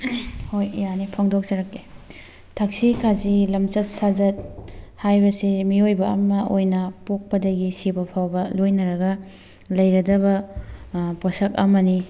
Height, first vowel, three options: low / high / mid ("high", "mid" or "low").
mid